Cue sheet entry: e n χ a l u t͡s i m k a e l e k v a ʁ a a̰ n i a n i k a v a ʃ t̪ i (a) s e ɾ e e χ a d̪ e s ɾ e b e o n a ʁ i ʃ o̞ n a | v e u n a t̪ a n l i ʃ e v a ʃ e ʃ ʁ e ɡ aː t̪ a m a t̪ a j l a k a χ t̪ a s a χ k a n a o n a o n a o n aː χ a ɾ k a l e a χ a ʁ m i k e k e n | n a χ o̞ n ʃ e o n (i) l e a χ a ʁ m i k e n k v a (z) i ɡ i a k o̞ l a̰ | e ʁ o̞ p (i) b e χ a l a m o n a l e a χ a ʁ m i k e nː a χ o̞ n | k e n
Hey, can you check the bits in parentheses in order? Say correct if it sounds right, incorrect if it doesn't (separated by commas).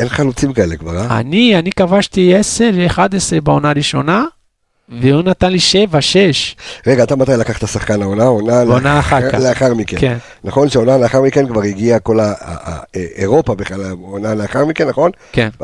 incorrect, incorrect, incorrect, incorrect